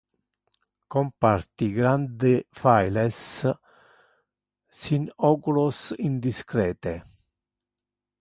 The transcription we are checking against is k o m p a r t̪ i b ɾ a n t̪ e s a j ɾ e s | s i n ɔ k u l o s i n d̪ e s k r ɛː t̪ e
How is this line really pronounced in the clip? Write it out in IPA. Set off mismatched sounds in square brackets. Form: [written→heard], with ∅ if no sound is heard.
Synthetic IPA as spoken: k o m p a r t̪ i [b→ɡ] ɾ a n [t̪→d̪] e [s→f] a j [ɾ→l] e s | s i n ɔ k u l o s i n d̪ [e→i] s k [r→ɾ] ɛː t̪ e